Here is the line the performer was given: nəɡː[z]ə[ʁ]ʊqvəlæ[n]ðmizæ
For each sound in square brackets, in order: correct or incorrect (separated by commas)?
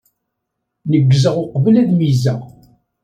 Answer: correct, correct, incorrect